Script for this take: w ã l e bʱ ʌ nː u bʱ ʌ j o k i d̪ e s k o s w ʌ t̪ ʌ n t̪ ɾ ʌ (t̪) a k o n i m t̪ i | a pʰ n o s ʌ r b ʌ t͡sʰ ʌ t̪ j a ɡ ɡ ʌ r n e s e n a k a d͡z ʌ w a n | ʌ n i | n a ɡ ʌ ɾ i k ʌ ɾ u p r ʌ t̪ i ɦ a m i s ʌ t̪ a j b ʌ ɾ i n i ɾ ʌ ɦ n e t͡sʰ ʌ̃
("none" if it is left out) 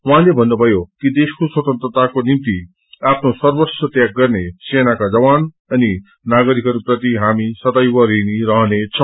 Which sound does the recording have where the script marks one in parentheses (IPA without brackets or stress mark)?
t̪